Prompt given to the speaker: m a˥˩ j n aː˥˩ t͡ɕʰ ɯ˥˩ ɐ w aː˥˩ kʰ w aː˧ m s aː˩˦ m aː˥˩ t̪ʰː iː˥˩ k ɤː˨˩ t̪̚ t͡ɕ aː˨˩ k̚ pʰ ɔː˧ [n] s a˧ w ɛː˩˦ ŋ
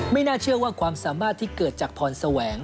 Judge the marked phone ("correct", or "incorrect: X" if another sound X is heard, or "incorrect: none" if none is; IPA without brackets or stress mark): correct